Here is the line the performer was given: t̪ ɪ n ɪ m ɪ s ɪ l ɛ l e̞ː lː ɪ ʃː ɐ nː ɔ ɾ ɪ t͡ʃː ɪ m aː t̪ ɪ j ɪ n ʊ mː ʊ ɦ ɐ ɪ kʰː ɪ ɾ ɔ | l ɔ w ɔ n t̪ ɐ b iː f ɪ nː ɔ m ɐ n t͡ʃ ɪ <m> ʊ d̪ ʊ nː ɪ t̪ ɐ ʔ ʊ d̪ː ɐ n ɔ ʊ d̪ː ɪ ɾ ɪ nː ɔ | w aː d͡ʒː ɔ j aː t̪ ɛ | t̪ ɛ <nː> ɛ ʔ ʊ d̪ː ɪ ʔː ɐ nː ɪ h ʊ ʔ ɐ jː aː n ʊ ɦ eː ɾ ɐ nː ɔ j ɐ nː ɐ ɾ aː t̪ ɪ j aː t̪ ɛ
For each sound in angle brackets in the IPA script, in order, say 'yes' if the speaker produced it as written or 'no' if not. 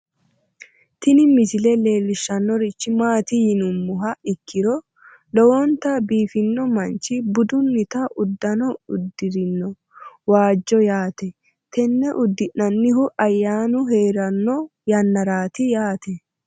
no, yes

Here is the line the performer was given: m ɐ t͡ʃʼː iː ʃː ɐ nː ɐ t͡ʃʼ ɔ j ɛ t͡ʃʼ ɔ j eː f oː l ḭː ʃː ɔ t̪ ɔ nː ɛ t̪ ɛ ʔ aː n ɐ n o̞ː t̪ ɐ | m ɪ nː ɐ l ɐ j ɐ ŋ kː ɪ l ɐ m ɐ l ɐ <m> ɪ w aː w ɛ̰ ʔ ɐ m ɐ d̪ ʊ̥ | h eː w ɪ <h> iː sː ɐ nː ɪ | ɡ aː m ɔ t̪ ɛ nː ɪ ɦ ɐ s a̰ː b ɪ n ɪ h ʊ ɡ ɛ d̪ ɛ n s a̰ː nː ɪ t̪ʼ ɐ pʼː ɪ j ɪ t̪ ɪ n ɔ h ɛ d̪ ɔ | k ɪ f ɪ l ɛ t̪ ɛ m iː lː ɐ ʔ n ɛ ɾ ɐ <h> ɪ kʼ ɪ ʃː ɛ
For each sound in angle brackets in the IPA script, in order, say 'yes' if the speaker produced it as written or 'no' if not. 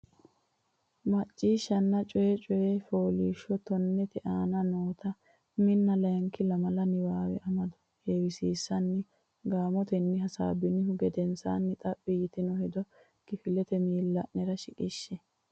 no, no, no

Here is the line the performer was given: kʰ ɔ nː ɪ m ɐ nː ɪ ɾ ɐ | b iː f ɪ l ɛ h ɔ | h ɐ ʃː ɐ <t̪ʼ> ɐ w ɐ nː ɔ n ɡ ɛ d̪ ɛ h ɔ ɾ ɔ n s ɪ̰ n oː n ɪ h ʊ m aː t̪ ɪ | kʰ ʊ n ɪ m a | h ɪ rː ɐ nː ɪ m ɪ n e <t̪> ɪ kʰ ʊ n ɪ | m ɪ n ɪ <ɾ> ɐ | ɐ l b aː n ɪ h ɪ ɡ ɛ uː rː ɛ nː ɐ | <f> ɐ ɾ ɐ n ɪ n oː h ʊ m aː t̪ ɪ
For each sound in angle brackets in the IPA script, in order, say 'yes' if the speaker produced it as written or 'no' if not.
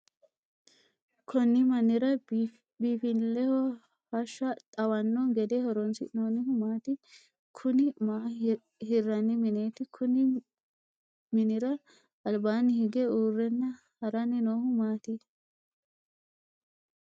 yes, yes, yes, no

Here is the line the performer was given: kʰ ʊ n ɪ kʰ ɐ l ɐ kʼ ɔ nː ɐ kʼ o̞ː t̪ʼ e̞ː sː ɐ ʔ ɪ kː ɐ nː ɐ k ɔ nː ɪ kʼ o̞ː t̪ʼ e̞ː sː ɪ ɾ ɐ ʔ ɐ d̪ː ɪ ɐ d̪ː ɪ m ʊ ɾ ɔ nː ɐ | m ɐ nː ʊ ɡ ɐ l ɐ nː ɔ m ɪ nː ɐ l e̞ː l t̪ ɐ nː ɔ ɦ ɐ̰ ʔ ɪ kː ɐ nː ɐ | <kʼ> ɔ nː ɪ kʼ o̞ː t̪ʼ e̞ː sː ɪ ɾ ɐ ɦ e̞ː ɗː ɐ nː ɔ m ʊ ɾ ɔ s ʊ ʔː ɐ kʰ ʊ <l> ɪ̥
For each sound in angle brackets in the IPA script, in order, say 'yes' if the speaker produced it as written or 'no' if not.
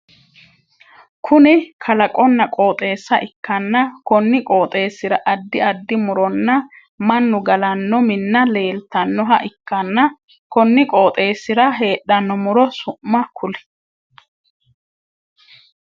no, yes

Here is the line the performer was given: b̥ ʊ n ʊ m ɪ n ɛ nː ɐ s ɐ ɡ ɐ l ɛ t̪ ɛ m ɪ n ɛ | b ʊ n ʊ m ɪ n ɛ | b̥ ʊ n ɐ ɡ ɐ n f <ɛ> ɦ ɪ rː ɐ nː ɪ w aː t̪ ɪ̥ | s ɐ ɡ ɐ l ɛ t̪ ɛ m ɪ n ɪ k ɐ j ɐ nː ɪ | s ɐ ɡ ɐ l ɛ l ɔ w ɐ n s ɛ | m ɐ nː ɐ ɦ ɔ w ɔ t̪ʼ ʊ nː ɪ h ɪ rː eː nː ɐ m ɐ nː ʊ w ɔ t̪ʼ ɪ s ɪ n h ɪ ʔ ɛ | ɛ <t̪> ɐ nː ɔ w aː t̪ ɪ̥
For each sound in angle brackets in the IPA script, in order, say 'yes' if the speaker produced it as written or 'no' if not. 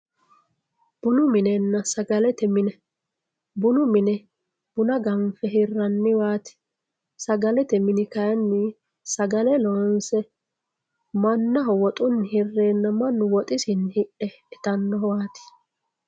yes, yes

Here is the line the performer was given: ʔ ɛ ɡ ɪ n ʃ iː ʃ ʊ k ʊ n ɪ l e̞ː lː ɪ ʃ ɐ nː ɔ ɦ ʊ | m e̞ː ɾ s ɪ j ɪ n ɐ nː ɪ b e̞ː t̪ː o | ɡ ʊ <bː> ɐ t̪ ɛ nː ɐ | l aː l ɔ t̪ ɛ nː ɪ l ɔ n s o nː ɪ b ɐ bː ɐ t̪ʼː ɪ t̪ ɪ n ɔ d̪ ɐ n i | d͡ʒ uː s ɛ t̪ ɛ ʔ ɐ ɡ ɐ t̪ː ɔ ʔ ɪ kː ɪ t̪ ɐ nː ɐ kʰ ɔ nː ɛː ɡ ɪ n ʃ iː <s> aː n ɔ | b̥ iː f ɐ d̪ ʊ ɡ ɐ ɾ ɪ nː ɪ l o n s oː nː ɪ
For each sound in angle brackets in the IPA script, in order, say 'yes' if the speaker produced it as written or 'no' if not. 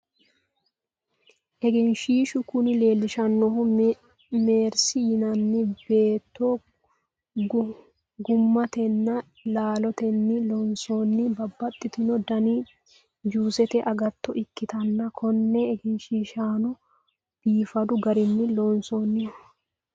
no, no

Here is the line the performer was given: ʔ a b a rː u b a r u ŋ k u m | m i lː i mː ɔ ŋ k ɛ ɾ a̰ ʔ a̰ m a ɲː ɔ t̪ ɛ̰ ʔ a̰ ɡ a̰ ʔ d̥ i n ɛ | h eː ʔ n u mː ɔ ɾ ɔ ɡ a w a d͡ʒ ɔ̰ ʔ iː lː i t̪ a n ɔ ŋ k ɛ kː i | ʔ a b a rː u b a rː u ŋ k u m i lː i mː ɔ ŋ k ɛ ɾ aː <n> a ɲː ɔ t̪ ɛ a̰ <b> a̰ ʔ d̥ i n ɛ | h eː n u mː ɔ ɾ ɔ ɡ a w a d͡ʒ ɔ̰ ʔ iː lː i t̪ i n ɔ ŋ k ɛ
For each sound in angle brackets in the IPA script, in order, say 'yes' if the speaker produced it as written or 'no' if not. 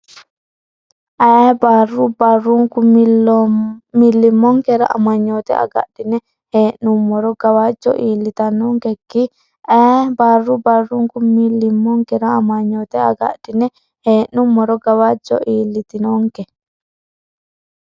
no, no

